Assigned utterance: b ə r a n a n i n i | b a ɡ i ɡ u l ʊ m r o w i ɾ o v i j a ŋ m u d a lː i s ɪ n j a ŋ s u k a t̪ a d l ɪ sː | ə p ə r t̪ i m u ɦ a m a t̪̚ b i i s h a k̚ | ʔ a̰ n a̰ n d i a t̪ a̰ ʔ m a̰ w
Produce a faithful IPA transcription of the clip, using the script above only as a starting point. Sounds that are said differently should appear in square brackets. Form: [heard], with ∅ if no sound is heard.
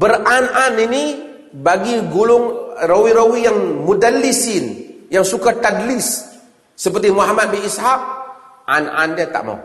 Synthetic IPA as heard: b ə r a n a n i n i | b a ɡ i ɡ u l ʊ [ŋ] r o w i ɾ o [w] i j a ŋ m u d a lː i s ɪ n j a ŋ s u k a t̪ a d l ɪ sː | ə p ə r t̪ i m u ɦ a m a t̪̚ b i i s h a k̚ | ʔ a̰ n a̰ n d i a t̪ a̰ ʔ m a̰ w